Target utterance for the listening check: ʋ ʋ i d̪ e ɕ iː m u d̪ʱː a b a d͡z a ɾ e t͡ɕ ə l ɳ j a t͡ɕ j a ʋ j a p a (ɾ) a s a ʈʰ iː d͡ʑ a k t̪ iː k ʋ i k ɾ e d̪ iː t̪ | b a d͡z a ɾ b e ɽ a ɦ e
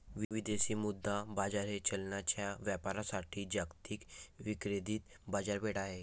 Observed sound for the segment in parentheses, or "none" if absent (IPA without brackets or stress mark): ɾ